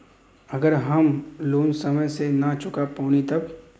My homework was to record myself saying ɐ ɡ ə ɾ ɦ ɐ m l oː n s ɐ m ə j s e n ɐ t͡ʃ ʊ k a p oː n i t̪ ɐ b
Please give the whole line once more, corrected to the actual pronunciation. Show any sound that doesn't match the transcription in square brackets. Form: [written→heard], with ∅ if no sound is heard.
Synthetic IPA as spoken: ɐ ɡ ə ɾ ɦ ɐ m l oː n s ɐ m ə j s e n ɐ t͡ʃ ʊ k a p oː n i t̪ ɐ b